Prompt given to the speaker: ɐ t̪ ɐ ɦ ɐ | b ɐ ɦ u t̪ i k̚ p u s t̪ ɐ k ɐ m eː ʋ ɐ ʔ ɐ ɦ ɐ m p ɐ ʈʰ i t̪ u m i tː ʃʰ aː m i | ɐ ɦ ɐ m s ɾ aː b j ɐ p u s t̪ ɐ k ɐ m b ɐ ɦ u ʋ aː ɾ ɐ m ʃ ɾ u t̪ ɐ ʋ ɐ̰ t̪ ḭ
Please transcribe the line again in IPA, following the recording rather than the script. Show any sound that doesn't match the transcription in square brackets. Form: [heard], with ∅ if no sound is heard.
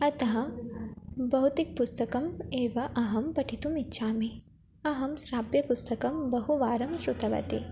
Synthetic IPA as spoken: ɐ t̪ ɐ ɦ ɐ | b ɐ ɦ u t̪ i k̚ p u s t̪ ɐ k ɐ m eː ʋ ɐ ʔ ɐ ɦ ɐ m p ɐ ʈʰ i t̪ u m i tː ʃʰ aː m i | ɐ ɦ ɐ m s ɾ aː b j ɐ p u s t̪ ɐ k ɐ m b ɐ ɦ u ʋ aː ɾ ɐ m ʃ ɾ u t̪ ɐ ʋ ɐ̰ t̪ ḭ